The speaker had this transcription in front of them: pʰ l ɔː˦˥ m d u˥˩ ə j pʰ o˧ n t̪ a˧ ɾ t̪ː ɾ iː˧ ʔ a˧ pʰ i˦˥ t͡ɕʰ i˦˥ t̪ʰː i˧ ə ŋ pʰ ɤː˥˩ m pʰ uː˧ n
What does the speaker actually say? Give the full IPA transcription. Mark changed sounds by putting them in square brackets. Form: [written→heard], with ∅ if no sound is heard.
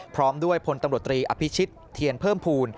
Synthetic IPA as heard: pʰ [l→ɾ] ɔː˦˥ m d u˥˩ ə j pʰ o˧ n t̪ a˧ ɾ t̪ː ɾ iː˧ ʔ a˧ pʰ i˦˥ t͡ɕʰ i˦˥ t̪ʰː i˧ ə [ŋ→n] pʰ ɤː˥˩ m pʰ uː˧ n